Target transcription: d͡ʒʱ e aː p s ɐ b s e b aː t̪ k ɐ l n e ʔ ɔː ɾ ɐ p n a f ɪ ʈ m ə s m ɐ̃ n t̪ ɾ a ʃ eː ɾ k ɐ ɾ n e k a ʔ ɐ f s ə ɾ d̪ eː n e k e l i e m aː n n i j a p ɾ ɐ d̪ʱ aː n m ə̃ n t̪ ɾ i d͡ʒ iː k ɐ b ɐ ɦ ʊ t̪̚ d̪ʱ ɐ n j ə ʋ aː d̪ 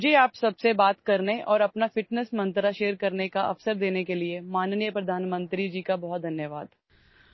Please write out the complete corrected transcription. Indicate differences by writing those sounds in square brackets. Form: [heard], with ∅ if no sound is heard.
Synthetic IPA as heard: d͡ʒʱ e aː p s ɐ b s e b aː t̪ k ɐ [ɾ] n e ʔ ɔː ɾ ɐ p n a f ɪ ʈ [n] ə s m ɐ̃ n t̪ ɾ a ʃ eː ɾ k ɐ ɾ n e k a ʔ ɐ f s ə ɾ d̪ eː n e k e l i e m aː n n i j [ə] p ɾ ɐ d̪ʱ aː n m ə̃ n t̪ ɾ i d͡ʒ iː k [a] b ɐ ɦ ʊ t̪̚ d̪ʱ ɐ n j ə ʋ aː d̪

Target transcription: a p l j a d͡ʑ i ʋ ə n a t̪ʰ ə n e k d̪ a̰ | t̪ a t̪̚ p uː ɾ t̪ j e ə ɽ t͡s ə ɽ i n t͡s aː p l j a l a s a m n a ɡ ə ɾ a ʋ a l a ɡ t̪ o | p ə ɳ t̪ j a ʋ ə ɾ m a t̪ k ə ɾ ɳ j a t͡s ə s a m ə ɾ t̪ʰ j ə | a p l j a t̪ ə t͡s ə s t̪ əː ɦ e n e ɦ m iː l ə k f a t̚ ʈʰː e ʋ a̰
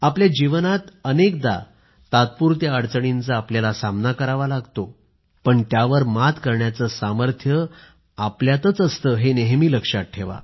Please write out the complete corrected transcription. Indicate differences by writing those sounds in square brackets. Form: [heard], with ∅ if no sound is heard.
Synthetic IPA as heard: a p l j a d͡ʑ i ʋ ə n a [t̪] ə n e k d̪ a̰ | t̪ a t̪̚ p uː ɾ t̪ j [a] ə ɽ t͡s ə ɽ i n t͡s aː p l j a l a s a m n a [k] ə ɾ a ʋ a l a ɡ t̪ o | p ə ɳ t̪ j a ʋ ə ɾ m a t̪ k ə ɾ ɳ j a t͡s ə s a m ə ɾ t̪ʰ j ə | a p l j a t̪ ə t͡s ə s t̪ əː ɦ e n e ɦ m iː l ə k [ʂ] a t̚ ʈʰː e ʋ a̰

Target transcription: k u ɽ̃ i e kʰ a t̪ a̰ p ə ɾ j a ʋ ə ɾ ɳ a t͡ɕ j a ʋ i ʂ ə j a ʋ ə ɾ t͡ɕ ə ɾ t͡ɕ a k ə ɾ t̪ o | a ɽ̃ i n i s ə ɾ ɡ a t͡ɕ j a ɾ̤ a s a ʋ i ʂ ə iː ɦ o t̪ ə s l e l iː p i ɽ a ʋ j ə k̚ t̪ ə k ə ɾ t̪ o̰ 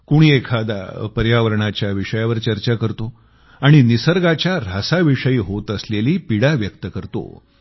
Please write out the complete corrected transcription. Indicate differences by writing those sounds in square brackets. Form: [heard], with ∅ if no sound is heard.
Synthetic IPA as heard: k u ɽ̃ i e kʰ a [d̪] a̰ p ə ɾ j a ʋ ə ɾ ɳ a t͡ɕ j a ʋ i ʂ ə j a ʋ ə ɾ t͡ɕ ə ɾ t͡ɕ a k ə ɾ t̪ o | a ɽ̃ i n i s ə ɾ ɡ a t͡ɕ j a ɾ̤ a s a ʋ i ʂ ə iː ɦ o t̪ ə s l e l iː p i ɽ a ʋ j ə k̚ t̪ ə k ə ɾ t̪ o̰

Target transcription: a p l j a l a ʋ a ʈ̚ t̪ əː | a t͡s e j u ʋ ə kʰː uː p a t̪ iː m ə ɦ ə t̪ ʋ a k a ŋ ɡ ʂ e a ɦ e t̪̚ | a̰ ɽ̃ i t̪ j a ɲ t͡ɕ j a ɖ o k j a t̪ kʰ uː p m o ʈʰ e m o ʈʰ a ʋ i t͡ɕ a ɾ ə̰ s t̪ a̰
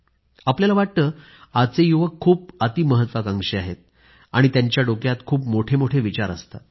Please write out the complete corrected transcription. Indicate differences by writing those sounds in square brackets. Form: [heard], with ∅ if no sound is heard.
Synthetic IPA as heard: a p l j a l a ʋ a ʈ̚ t̪ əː | a t͡s e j u ʋ ə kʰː uː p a t̪ iː m ə ɦ ə t̪ ʋ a k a ŋ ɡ ʂ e a ɦ e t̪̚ | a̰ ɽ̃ i t̪ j a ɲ t͡ɕ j a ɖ o k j a t̪ kʰ uː p m o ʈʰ e m o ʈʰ [e] ʋ i t͡ɕ a ɾ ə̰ s t̪ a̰

